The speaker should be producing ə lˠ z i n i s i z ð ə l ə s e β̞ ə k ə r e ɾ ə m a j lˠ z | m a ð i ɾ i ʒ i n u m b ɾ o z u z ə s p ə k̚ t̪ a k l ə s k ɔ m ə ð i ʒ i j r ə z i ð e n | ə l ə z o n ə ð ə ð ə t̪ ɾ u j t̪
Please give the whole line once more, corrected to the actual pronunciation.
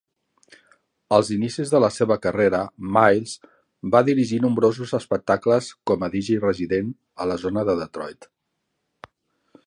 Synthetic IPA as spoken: ə lˠ z i n i s i z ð ə l ə s e β̞ ə k ə r e ɾ ə m a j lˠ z | b a ð i ɾ i ʒ i n u m b ɾ o z u z ə s p ə k̚ t̪ a k l ə s k ɔ m ə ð i ʒ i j r ə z i ð e n | ə l ə z o n ə ð ə ð ə t̪ ɾ ɔ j t̪

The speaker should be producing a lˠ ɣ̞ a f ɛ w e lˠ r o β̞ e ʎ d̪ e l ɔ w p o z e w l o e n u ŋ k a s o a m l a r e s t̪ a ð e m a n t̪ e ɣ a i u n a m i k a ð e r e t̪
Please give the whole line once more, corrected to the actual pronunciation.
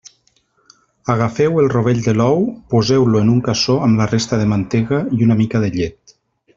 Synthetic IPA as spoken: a ɣ̞ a f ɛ w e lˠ r o β̞ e ʎ d̪ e l ɔ w p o z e w l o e n u ŋ k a s o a m l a r e s t̪ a ð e m a n t̪ e ɣ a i u n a m i k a ð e ʎ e t̪

